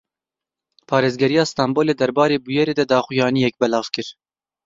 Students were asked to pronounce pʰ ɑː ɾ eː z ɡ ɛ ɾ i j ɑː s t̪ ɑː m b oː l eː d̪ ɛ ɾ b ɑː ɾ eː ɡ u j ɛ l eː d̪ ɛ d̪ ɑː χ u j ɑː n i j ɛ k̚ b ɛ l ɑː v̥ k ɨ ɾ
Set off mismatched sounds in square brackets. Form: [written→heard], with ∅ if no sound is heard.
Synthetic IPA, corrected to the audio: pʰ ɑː ɾ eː z ɡ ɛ ɾ i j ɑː s t̪ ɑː m b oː l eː d̪ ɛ ɾ b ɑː ɾ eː [ɡ→b] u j ɛ [l→ɾ] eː d̪ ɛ d̪ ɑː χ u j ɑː n i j ɛ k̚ b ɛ l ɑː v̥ k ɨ ɾ